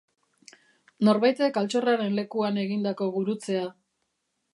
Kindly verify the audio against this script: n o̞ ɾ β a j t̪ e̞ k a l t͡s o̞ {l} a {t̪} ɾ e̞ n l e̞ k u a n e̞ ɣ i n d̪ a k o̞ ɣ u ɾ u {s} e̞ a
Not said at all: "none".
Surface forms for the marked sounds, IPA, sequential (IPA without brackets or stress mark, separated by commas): r, none, t͡s